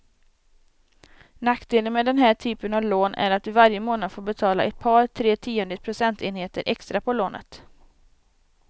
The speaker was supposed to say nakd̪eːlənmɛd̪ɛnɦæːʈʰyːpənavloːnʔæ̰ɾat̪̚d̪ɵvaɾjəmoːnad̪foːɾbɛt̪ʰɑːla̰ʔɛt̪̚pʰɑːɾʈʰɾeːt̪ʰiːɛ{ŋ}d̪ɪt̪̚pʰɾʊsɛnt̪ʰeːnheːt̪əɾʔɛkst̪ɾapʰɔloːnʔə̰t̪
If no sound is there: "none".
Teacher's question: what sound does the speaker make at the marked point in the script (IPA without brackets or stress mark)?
n